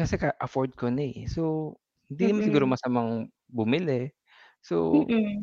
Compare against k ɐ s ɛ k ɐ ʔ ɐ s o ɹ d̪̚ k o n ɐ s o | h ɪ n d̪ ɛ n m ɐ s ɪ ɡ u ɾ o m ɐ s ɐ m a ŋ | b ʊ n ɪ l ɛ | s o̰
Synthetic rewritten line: k ɐ s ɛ k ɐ ʔ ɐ f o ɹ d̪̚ k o n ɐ s o | h ɪ n d̪ i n m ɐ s ɪ ɡ uː ɾ o m ɐ s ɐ m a ŋ | b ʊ m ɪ l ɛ | s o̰